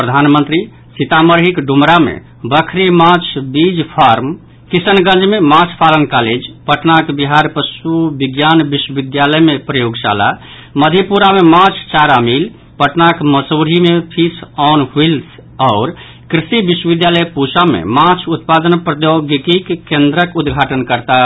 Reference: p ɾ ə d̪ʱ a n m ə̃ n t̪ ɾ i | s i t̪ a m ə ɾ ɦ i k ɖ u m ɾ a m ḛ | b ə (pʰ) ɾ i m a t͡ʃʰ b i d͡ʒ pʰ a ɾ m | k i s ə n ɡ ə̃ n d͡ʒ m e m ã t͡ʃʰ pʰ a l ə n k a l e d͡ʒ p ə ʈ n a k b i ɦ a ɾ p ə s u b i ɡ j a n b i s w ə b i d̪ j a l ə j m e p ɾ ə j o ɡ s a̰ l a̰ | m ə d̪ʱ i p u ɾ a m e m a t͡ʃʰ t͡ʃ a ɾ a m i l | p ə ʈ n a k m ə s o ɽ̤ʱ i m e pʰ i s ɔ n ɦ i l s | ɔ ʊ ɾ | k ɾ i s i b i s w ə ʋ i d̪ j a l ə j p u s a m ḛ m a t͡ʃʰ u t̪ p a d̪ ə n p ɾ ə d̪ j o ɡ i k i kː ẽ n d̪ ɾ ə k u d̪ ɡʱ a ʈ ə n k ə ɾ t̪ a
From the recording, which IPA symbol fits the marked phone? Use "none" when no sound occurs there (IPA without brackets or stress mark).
kʰ